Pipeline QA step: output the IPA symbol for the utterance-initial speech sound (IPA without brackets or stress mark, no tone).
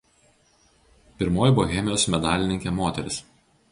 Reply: pʲ